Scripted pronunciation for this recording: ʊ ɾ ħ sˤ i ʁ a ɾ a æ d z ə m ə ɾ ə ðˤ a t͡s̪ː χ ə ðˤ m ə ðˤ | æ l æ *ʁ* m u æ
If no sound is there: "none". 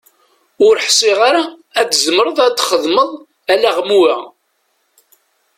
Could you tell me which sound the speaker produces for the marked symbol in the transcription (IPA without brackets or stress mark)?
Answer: ʁ